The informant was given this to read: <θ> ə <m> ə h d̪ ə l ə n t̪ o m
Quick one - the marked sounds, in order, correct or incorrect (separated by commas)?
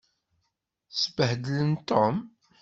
incorrect, incorrect